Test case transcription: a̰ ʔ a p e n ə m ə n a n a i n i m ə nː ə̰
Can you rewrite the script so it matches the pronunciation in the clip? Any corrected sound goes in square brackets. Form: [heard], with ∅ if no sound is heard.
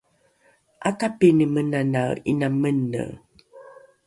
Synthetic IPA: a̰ [k] a p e n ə m ə n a n a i n [a] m ə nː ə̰